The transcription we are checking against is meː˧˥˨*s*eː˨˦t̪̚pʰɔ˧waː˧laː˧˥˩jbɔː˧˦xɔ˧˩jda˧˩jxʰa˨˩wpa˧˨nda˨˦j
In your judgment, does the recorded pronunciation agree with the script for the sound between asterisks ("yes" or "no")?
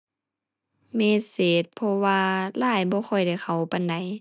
yes